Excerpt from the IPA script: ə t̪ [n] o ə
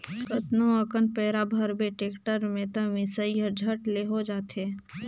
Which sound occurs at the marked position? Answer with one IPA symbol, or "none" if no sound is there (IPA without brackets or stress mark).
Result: n